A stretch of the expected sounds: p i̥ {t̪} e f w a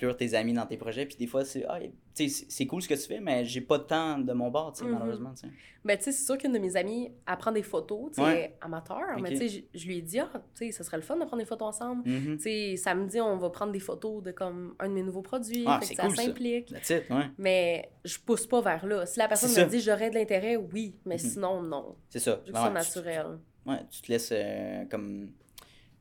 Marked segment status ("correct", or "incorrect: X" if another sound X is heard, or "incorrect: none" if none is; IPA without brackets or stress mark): incorrect: d̪